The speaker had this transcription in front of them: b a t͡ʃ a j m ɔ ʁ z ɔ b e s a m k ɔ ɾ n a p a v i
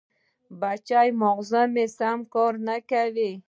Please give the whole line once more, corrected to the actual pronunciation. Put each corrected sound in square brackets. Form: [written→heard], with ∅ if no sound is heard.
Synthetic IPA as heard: b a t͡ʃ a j m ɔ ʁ z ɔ [b→m] e s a m k ɔ ɾ n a [p→k] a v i